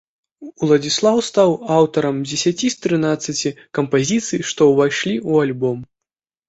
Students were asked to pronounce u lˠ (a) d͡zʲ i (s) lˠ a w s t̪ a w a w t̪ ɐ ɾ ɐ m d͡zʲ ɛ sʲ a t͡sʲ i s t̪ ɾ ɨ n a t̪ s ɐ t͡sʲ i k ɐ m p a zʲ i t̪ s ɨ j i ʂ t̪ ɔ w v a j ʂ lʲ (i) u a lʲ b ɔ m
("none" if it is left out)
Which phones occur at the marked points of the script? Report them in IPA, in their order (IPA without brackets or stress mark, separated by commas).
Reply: ɐ, s, i